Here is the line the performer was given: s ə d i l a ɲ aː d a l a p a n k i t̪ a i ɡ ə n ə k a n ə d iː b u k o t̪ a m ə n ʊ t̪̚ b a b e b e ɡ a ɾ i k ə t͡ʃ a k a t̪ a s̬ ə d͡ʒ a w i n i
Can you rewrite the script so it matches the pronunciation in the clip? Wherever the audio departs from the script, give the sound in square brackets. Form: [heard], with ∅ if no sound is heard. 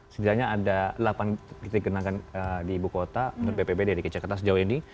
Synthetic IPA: s ə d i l a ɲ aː d a l a p a n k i t̪ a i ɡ ə n [a] k a n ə d iː b u k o t̪ a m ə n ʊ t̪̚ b [e] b e b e [d] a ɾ i k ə t͡ʃ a k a t̪ a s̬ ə d͡ʒ a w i n i